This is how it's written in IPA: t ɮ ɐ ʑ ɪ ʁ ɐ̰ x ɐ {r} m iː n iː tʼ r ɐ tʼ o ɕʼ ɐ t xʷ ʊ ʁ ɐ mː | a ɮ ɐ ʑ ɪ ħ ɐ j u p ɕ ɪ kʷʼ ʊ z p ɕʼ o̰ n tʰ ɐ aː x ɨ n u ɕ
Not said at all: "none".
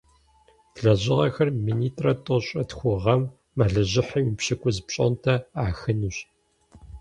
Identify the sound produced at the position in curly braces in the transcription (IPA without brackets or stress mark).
r